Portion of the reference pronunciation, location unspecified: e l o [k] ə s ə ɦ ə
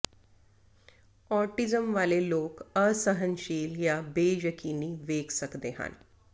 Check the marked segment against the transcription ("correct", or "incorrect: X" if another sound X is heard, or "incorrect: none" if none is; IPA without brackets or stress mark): correct